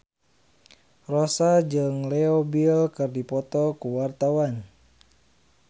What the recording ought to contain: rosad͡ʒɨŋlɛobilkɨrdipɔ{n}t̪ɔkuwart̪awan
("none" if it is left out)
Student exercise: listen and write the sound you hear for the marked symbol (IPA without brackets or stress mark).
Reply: none